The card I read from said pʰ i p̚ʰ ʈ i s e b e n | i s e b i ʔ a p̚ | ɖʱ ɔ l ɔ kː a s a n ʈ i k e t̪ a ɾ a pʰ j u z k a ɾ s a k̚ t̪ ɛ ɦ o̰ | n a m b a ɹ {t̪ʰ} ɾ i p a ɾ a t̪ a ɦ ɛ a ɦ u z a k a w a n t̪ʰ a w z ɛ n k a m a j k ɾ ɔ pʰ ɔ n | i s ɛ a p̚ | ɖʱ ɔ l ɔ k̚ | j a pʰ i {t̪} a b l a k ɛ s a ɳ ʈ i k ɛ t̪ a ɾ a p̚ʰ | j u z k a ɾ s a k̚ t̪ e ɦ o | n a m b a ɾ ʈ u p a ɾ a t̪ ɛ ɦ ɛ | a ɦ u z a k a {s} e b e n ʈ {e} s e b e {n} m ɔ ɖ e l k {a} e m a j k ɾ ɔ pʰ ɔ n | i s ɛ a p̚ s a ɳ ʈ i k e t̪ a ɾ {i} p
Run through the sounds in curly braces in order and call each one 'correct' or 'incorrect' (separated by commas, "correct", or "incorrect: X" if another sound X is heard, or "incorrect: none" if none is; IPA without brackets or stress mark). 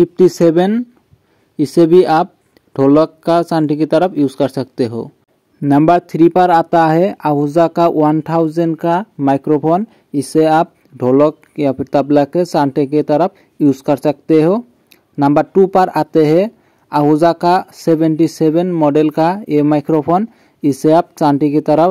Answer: correct, correct, correct, incorrect: i, correct, correct, incorrect: a